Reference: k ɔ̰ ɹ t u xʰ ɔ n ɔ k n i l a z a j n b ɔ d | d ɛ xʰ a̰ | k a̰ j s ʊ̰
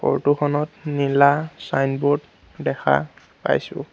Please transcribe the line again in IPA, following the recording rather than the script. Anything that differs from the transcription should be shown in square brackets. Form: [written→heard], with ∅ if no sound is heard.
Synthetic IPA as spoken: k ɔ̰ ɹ t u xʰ ɔ n ɔ [k→t] n i l a [z→s] a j n b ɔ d | d ɛ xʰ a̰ | [k→p] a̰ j s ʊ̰